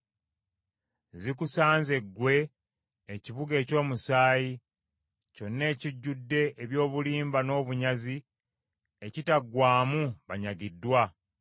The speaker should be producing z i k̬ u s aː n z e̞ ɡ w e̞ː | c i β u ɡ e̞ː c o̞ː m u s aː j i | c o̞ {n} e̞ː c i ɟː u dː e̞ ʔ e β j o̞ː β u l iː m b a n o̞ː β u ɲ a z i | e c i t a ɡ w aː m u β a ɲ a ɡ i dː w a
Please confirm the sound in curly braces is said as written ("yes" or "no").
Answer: no